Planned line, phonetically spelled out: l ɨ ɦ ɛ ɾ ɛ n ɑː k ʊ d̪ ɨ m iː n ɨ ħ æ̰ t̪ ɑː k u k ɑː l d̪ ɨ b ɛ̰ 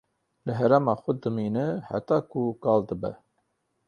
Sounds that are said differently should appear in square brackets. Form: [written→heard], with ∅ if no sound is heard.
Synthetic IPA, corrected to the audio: l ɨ ɦ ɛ ɾ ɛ [n→m] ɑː [k→x] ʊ d̪ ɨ m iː n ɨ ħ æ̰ t̪ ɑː k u k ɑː l d̪ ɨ b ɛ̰